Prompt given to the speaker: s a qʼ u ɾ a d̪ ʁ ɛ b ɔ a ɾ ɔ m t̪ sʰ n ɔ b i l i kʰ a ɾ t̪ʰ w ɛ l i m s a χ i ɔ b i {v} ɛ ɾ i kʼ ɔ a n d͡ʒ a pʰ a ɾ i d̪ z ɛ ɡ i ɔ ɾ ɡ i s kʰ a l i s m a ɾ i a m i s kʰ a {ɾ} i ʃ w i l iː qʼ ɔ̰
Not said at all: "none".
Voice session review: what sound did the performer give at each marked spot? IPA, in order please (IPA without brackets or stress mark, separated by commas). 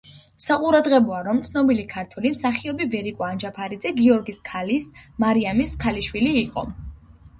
v, l